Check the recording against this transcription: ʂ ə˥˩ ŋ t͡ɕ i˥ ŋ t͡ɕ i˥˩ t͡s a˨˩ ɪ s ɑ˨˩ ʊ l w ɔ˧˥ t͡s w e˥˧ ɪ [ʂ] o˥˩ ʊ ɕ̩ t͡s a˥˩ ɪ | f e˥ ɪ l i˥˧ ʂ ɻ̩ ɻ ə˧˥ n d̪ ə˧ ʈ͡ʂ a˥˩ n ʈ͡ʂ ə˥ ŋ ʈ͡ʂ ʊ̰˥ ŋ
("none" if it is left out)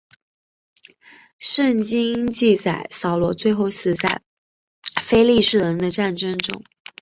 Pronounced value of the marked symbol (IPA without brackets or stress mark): x